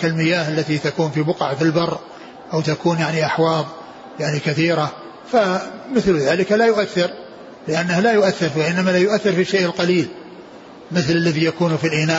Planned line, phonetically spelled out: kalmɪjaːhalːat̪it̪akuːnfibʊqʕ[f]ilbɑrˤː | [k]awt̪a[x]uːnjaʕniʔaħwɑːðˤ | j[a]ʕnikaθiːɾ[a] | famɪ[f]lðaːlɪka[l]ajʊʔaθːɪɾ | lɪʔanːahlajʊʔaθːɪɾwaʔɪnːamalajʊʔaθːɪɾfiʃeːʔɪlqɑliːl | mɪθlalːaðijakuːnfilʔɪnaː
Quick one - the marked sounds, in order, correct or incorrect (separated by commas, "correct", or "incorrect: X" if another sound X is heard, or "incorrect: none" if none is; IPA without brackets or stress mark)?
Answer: correct, incorrect: ʔ, incorrect: k, correct, correct, incorrect: θ, correct